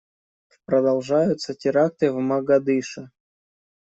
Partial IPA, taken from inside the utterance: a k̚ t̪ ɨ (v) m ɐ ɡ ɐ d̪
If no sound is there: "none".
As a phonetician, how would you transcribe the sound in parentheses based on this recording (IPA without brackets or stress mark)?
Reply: v